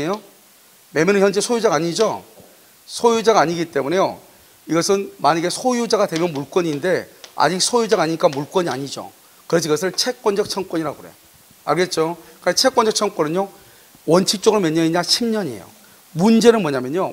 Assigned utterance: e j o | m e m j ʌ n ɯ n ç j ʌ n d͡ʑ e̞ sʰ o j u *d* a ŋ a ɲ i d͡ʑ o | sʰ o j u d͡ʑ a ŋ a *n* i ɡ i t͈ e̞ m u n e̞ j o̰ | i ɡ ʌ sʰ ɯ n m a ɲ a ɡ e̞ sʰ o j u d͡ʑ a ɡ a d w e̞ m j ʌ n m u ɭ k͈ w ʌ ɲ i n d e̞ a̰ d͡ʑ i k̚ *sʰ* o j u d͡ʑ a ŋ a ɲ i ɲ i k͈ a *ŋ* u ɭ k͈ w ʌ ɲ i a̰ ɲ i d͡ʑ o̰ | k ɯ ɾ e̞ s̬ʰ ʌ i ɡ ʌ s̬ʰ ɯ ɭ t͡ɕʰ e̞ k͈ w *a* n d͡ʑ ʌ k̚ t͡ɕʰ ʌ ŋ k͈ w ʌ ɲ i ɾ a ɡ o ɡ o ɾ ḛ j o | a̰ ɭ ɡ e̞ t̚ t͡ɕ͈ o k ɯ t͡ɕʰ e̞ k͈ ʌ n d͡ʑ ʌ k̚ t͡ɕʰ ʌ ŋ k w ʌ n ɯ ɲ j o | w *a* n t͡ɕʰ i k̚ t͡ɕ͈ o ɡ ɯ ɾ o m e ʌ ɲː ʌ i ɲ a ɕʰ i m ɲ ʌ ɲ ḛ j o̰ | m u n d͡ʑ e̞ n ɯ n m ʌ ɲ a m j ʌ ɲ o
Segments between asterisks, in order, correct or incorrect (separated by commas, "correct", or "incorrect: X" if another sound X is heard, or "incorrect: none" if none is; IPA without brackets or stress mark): incorrect: d͡ʑ, incorrect: ɲ, correct, incorrect: m, incorrect: ʌ, incorrect: ʌ